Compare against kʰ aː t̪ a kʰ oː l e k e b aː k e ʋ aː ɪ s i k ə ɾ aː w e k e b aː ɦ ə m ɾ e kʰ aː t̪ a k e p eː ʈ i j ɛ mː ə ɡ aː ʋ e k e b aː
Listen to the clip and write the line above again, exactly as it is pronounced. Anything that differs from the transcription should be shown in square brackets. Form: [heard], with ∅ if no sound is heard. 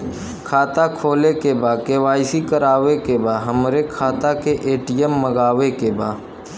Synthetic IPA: kʰ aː t̪ a kʰ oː l e k e b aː k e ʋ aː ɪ s i k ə ɾ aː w e k e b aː ɦ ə m ɾ e kʰ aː t̪ a k e [ʔ] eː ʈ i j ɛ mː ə ɡ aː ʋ e k e b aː